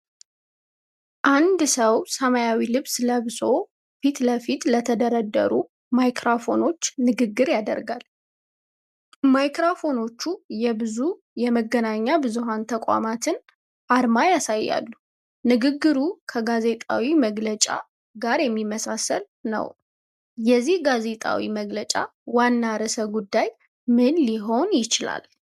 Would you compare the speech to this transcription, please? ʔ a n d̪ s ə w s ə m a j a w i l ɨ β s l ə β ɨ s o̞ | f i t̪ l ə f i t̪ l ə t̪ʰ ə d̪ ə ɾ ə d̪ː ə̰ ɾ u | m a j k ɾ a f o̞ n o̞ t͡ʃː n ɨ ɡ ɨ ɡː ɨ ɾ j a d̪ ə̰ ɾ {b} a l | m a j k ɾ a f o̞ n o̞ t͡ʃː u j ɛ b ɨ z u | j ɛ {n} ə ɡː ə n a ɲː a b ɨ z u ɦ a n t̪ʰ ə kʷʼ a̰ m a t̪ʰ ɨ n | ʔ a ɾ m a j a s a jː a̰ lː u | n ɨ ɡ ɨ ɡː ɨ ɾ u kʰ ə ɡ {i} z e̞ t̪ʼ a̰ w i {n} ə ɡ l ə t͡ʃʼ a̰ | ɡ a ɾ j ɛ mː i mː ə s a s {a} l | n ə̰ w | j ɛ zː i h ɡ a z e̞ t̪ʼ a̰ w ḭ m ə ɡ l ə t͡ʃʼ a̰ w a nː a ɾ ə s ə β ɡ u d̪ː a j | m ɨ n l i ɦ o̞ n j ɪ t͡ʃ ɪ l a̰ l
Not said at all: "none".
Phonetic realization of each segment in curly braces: ɡ, m, a, m, ə

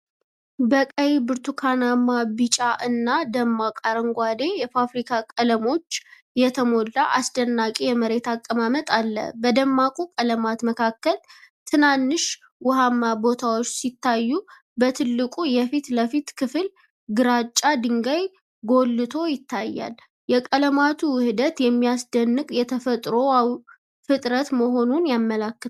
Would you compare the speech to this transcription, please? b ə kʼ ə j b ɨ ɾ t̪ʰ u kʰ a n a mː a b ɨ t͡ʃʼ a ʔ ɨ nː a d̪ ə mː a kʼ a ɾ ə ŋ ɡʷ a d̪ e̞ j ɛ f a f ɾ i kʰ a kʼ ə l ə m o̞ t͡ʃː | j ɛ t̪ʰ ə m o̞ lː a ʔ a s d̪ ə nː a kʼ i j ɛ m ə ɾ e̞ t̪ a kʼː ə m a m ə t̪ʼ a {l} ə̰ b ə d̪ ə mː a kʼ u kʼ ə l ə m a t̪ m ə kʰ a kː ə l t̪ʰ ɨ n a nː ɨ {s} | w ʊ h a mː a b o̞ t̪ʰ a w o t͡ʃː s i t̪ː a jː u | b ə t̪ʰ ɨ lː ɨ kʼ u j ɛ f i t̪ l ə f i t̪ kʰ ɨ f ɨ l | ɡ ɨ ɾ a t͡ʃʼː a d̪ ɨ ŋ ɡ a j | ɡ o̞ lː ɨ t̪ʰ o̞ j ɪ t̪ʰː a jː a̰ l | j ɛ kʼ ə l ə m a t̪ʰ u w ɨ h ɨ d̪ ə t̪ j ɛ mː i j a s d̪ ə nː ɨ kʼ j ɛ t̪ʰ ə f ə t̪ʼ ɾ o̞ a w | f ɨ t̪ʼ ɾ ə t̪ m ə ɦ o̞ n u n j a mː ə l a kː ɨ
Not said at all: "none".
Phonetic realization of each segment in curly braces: lː, ʃ

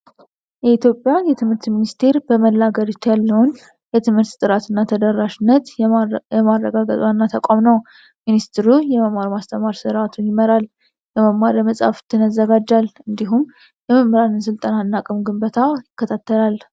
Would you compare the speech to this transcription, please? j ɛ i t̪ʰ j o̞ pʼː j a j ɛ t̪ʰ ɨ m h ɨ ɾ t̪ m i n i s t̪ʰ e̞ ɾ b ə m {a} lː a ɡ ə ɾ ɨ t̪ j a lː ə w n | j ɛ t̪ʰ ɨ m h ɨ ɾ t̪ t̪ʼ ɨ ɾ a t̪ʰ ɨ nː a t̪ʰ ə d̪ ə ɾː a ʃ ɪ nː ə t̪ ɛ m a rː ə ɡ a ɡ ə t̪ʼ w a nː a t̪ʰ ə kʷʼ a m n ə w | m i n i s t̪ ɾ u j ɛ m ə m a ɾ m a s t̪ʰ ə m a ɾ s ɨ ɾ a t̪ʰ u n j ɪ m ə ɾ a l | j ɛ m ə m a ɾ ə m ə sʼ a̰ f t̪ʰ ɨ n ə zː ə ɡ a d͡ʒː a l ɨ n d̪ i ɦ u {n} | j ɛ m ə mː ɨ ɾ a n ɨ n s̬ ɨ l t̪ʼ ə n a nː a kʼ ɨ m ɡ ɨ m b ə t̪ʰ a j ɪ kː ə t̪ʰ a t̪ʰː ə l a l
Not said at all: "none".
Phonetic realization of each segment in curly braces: ə, m

